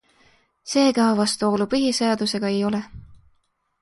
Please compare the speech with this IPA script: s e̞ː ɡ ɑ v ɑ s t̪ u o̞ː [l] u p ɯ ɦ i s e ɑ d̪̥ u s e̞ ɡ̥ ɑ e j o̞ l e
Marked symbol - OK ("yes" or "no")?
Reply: yes